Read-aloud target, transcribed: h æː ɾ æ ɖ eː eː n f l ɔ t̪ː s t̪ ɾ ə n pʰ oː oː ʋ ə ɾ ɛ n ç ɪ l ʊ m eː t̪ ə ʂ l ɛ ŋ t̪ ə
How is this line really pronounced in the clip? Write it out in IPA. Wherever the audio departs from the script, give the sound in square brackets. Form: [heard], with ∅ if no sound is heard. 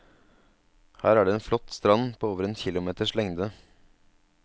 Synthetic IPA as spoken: h æː ɾ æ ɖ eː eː n f l ɔ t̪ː s t̪ ɾ [ɑ] n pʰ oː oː ʋ ə ɾ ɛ n ç ɪ l ʊ m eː t̪ ə ʂ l ɛ ŋ [d̪] ə